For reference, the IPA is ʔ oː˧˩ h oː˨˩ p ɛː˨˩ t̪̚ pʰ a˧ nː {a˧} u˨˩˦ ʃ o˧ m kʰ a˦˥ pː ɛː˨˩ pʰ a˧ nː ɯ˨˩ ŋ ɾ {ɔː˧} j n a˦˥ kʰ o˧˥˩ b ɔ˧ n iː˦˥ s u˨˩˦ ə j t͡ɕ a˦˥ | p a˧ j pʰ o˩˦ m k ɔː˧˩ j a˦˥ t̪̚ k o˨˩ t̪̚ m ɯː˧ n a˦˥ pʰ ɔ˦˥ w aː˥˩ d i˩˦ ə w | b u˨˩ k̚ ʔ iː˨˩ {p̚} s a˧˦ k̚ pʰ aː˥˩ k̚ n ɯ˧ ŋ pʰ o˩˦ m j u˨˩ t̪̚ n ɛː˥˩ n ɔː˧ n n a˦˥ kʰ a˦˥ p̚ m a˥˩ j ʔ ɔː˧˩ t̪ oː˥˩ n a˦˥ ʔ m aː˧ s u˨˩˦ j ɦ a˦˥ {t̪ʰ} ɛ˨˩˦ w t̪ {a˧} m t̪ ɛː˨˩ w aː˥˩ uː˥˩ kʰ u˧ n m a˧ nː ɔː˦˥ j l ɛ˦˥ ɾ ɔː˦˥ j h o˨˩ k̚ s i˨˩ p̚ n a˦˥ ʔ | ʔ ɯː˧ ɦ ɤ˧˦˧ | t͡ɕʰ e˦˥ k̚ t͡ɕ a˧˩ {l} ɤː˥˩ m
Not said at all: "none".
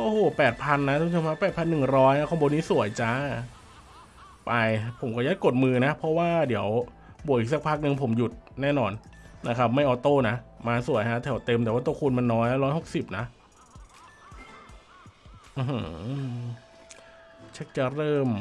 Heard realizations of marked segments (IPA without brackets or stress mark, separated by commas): a˦˥, ɔː˦˥, k̚, t̪ʰ, e˧, ɾ